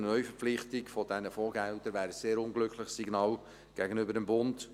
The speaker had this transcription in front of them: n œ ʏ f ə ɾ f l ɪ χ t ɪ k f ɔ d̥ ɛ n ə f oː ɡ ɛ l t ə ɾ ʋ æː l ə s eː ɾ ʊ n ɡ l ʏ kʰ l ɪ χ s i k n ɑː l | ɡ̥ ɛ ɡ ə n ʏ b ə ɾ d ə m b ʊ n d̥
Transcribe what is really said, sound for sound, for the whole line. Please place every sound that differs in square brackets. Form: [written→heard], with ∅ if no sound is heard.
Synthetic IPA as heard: n œ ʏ f ə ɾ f l ɪ χ t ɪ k f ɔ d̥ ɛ n ə f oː ɡ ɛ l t ə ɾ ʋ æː [l→ɾ] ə s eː ɾ ʊ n ɡ l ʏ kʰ l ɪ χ s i [k→ɡ] n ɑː l | ɡ̥ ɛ ɡ ə n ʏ b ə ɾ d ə m b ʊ n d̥